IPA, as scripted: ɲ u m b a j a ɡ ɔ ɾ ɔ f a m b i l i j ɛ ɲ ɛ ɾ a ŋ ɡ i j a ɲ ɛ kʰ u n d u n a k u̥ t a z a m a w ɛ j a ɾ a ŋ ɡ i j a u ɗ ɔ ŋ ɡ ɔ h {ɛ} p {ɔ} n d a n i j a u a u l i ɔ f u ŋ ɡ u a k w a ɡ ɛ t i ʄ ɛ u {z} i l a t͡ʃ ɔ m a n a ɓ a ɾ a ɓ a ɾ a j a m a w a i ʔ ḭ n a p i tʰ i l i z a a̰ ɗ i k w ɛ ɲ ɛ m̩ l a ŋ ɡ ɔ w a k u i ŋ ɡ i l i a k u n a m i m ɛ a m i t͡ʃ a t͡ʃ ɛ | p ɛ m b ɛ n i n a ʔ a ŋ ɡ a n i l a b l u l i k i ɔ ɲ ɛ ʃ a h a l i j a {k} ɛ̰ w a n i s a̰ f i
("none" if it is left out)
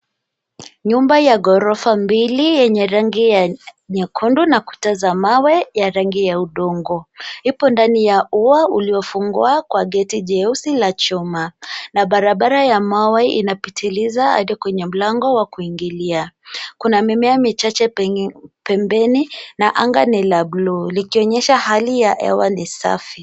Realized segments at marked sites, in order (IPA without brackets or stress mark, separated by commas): i, ɔ, s, ʔ